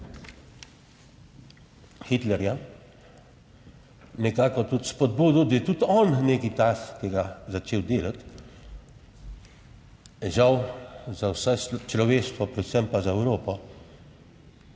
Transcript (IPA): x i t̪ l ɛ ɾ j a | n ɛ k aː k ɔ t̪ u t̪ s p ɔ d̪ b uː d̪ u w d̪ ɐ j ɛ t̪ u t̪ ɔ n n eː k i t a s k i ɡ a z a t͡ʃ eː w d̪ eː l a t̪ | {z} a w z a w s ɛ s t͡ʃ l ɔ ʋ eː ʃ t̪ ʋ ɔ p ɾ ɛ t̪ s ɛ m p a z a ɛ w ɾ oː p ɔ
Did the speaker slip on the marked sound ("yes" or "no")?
yes